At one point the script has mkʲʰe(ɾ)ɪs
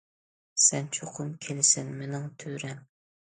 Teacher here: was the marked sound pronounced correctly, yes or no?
no